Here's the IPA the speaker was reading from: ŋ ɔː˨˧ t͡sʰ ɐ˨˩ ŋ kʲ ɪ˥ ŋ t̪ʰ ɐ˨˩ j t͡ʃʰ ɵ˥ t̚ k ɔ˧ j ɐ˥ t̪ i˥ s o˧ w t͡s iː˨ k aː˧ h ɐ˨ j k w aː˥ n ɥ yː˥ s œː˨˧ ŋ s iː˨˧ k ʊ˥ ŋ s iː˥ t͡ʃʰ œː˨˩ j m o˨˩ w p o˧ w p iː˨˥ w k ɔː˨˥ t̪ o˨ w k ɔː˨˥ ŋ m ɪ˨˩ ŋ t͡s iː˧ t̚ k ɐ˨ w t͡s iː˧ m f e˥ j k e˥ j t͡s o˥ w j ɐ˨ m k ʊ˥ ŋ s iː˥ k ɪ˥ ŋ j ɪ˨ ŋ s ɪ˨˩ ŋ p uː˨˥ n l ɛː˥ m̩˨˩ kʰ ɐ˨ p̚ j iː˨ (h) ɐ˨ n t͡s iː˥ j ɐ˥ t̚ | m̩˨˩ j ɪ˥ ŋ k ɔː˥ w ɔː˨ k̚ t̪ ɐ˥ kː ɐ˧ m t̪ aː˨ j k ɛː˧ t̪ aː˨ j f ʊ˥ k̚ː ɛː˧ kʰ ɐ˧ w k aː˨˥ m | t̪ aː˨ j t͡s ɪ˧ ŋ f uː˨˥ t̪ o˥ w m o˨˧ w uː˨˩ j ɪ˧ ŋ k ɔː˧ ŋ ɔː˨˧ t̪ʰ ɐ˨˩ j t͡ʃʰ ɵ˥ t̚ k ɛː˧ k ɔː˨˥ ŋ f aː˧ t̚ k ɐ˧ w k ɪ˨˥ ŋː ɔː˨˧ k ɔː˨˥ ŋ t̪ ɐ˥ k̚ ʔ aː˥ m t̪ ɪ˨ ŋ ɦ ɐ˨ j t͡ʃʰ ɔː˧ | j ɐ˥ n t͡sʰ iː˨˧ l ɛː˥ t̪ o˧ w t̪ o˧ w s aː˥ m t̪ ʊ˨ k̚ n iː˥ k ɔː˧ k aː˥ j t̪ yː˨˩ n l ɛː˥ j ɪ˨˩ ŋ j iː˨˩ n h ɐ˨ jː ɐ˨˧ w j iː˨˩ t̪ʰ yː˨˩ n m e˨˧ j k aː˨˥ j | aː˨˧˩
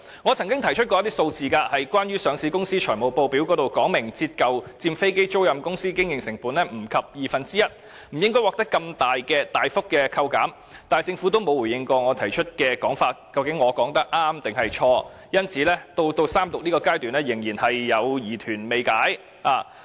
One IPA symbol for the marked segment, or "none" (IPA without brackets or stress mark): f